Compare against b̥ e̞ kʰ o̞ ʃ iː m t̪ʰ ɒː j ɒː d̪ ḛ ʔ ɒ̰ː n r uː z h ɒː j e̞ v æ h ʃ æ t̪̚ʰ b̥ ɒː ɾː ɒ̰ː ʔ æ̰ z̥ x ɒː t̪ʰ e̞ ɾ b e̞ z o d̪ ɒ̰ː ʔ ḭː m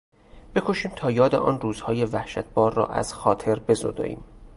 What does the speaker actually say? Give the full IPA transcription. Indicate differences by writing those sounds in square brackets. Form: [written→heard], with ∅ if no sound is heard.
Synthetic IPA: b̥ e̞ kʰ o̞ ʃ iː m t̪ʰ ɒː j ɒː d̪ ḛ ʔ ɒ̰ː n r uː z h ɒː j e̞ v æ h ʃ æ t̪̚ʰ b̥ ɒː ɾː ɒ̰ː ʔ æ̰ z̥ x ɒː t̪ʰ e̞ ɾ b e̞ z o d̪ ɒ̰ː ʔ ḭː m